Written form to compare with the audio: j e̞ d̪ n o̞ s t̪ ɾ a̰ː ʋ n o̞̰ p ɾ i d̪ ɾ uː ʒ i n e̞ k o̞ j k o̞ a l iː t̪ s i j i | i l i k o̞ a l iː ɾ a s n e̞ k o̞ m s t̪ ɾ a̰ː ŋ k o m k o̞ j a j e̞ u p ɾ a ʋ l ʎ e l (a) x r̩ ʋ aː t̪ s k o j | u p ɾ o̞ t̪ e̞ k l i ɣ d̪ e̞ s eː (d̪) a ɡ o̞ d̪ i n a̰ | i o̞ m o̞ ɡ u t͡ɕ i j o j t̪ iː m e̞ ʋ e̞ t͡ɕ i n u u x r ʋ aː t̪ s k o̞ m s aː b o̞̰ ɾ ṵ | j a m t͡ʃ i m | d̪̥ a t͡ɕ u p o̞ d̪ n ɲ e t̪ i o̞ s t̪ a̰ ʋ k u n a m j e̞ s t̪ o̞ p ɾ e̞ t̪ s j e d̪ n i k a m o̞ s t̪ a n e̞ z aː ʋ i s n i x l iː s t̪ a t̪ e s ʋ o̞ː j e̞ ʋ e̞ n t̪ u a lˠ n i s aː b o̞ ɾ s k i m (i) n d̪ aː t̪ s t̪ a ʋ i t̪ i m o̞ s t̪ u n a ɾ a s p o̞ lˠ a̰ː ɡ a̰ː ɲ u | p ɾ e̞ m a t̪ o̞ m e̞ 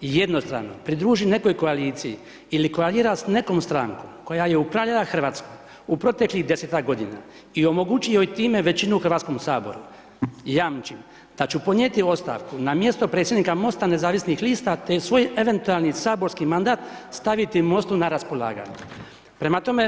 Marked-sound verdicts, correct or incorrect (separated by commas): correct, incorrect, incorrect